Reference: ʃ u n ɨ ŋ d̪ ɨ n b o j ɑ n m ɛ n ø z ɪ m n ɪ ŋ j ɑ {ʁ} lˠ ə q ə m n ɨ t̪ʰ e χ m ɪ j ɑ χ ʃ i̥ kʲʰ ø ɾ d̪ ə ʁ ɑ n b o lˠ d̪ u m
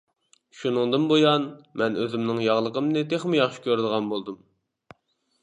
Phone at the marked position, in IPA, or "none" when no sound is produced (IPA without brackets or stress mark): ʁ